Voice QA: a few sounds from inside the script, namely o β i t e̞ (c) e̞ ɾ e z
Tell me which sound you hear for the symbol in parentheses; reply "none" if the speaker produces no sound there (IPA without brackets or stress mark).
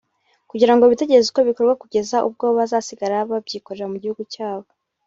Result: ɟ